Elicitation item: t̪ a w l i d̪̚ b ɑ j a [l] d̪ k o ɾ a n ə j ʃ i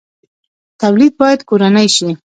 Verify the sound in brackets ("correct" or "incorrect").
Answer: incorrect